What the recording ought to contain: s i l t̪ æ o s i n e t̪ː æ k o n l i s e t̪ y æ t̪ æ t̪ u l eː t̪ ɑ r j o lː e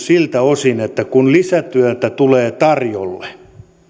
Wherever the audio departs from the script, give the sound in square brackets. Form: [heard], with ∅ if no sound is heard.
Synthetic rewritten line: s i l t̪ æ o s i n e t̪ː æ k [u] n l i s [æ] t̪ y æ t̪ æ t̪ u l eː t̪ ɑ r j o lː e